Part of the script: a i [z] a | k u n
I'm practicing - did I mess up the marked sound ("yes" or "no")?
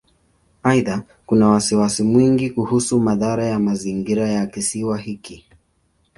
yes